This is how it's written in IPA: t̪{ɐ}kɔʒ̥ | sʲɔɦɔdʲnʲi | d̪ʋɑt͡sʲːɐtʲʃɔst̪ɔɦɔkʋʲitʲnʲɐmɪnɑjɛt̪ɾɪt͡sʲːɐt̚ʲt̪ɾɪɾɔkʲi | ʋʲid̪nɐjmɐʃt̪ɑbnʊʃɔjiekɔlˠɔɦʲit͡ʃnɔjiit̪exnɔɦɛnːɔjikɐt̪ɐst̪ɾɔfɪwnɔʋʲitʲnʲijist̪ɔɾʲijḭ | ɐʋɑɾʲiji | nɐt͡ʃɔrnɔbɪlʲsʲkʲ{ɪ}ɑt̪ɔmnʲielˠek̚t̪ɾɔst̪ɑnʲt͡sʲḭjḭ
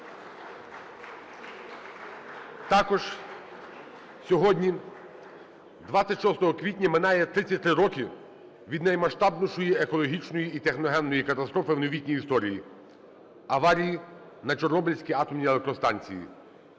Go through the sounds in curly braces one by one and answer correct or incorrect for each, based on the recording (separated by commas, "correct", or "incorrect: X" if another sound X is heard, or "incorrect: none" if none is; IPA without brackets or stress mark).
incorrect: ɑ, incorrect: i